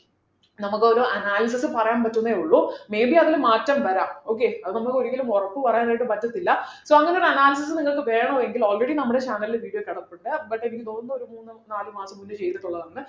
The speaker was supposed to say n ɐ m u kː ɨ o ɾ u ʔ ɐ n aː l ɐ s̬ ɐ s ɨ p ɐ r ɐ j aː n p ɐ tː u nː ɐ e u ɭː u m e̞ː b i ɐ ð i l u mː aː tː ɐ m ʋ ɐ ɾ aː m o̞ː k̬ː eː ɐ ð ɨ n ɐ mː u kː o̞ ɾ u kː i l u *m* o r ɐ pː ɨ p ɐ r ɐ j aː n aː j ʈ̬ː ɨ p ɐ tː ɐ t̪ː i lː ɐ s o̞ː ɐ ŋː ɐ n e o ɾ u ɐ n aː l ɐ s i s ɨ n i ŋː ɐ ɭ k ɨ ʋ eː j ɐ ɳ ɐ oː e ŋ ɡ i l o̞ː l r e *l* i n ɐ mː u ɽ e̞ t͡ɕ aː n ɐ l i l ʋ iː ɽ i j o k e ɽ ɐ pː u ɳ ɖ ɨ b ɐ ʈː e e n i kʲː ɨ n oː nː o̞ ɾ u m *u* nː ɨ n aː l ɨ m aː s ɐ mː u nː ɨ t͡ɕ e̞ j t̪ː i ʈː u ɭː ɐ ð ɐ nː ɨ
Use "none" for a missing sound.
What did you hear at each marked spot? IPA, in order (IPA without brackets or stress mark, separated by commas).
m, ɽ, uː